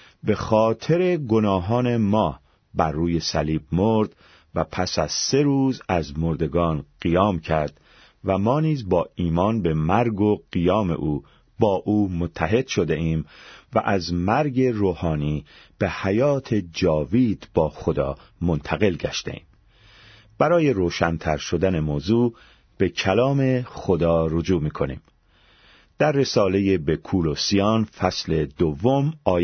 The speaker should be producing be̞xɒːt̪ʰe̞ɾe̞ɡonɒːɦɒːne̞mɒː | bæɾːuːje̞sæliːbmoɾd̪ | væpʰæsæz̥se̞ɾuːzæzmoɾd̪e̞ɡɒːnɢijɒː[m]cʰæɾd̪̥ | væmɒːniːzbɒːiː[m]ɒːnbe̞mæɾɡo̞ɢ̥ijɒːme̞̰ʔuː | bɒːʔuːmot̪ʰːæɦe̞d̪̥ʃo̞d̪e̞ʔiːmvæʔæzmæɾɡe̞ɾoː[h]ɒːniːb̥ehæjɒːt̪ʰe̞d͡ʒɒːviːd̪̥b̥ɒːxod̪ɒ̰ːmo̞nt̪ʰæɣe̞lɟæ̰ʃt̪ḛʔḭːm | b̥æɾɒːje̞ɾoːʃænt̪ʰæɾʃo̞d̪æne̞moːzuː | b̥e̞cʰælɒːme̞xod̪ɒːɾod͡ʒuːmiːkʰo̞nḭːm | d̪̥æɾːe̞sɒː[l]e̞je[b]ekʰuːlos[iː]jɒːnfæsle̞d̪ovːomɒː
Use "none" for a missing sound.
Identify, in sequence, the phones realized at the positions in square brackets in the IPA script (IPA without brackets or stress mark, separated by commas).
m, m, h, l, b, i